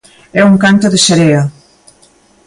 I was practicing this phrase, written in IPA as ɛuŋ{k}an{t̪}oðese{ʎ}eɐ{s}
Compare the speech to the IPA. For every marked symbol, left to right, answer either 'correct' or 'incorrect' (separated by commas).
correct, correct, incorrect, incorrect